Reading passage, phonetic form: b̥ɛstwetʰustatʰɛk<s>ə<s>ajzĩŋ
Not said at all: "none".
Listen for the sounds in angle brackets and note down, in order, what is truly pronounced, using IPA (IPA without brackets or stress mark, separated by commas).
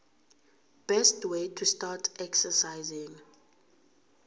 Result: s, s